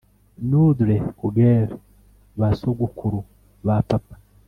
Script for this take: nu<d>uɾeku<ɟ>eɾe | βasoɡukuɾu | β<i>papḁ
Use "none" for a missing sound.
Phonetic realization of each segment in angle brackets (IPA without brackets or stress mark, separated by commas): d, ɡ, a